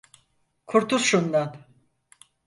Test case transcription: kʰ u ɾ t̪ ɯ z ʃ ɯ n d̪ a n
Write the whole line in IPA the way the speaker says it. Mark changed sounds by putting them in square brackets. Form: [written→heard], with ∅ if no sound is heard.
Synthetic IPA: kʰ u ɾ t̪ [ɯ→u] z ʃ [ɯ→u] n d̪ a n